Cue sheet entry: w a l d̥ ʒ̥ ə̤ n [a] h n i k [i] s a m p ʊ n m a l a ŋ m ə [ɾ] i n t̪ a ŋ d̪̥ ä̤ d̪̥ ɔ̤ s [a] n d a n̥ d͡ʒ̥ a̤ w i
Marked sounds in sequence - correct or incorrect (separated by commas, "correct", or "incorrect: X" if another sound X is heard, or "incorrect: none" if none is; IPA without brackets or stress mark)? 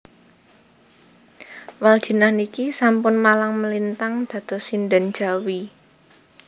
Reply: correct, correct, incorrect: l, incorrect: i